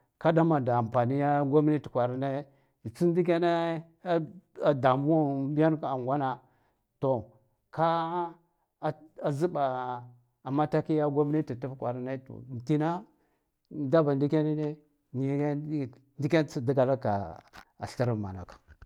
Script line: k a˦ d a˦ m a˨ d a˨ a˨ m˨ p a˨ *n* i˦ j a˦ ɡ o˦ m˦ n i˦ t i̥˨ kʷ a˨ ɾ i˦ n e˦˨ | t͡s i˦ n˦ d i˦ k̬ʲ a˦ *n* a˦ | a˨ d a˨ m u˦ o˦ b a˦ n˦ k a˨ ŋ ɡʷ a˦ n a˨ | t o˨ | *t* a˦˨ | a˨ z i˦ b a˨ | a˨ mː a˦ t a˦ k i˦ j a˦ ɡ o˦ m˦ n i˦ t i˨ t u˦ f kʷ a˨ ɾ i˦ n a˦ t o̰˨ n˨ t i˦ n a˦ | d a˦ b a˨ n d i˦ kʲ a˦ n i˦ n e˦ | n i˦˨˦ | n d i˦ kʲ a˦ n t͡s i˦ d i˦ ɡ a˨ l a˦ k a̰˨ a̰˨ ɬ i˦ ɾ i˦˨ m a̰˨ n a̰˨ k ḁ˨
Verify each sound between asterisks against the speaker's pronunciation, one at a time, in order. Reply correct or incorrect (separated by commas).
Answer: correct, correct, incorrect